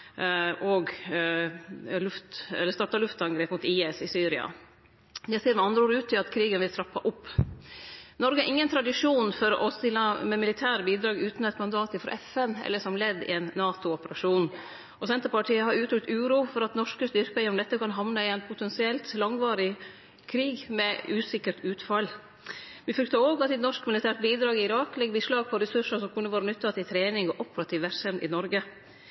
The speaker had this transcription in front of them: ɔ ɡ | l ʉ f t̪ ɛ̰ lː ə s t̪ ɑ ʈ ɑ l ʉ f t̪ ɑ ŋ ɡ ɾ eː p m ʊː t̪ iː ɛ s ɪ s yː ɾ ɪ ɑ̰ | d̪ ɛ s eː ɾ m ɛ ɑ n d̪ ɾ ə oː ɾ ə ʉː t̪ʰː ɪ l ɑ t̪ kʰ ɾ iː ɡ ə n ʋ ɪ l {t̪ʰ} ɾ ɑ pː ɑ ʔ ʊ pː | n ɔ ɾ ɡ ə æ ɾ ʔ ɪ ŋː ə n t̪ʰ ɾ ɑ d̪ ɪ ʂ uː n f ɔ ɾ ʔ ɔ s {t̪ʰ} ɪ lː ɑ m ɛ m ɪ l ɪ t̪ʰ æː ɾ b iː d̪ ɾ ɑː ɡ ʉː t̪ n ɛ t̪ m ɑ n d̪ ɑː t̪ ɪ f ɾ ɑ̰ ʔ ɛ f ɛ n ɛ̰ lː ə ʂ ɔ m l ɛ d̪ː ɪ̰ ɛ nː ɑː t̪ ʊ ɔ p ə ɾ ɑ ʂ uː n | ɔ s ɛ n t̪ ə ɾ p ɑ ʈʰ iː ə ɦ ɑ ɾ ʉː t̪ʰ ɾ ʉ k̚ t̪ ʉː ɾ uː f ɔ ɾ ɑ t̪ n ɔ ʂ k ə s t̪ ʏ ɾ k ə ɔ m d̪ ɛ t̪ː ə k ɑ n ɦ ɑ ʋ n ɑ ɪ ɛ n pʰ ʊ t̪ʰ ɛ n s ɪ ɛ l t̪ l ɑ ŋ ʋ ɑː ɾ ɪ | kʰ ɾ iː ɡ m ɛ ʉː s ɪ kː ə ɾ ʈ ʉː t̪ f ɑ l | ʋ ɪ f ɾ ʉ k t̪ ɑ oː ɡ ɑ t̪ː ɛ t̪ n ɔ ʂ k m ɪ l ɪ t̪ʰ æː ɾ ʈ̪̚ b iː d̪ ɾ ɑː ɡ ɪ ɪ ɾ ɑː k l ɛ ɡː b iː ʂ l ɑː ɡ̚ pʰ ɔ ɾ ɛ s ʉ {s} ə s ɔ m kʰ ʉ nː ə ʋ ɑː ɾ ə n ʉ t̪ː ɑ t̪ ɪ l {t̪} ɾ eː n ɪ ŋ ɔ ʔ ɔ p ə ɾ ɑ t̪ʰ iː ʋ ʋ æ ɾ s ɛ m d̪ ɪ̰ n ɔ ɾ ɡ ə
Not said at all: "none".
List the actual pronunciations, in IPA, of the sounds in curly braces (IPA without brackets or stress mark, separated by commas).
t̪ʰ, t̪, ʂ, t̪ʰ